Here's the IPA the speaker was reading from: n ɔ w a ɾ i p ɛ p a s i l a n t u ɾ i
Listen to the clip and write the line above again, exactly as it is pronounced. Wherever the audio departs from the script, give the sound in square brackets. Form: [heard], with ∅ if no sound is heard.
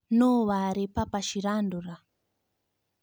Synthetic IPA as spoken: n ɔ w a ɾ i p [a] p a [ʃ] i [ɾ] a n [d] u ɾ [a]